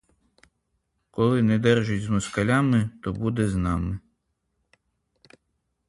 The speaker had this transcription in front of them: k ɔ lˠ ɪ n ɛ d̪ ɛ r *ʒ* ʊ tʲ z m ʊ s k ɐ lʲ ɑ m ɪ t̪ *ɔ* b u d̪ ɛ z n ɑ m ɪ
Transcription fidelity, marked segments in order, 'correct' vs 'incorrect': correct, correct

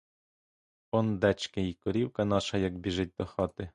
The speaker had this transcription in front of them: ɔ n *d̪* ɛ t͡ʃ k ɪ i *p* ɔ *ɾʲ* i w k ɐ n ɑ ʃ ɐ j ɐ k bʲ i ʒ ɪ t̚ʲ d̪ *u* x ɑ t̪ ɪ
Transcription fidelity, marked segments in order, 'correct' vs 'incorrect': correct, incorrect: k, correct, incorrect: ɔ

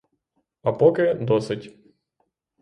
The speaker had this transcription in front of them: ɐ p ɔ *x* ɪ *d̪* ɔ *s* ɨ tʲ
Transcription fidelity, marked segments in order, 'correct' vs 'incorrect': incorrect: k, correct, correct

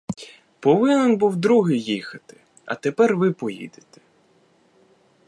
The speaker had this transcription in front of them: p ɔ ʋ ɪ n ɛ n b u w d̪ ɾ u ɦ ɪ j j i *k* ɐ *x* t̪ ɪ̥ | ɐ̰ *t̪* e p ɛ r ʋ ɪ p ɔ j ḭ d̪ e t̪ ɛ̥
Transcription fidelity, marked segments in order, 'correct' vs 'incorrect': incorrect: x, incorrect: none, correct

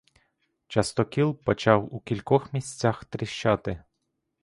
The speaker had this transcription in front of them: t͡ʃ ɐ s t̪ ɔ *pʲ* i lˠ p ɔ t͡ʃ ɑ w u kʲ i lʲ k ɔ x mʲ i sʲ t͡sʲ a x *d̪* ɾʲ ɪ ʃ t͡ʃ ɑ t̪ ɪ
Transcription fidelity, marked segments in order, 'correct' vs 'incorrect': incorrect: kʲ, incorrect: t̪

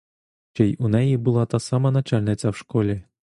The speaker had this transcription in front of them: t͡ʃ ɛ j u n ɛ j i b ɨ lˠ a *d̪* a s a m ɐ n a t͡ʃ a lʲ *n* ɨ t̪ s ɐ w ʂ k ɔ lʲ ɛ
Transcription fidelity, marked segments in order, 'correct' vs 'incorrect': incorrect: t̪, correct

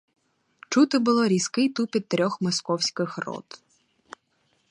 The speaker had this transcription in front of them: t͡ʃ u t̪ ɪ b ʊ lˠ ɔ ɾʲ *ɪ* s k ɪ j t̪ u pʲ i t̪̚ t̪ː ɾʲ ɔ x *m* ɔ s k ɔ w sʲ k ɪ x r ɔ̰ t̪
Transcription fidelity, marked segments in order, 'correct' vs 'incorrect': incorrect: i, correct

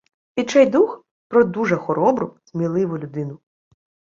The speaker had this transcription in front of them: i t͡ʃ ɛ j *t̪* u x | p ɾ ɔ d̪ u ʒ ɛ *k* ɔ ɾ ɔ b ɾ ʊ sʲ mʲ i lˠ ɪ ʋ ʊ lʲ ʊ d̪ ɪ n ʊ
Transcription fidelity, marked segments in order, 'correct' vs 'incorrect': incorrect: d̪, incorrect: x

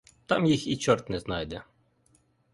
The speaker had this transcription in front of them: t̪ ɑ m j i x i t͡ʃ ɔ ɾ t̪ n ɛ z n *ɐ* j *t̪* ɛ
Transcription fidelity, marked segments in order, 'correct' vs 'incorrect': incorrect: ɑ, incorrect: d̪

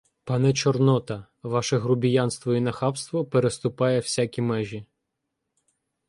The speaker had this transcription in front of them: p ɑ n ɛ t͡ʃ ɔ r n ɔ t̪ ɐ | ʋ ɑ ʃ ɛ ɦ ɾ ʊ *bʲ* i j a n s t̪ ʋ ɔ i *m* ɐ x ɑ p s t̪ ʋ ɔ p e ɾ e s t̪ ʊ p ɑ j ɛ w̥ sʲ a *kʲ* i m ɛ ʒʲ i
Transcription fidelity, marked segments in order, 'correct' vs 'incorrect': correct, incorrect: n, correct

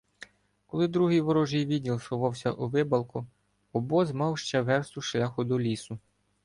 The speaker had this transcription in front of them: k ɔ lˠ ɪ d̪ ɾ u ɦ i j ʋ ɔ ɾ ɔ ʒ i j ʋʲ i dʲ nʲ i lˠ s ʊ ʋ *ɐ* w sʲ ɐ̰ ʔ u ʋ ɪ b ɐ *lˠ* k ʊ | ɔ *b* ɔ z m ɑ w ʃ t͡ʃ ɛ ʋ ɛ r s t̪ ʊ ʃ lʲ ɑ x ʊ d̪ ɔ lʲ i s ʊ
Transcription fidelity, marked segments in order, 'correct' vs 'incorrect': incorrect: ɑ, correct, correct

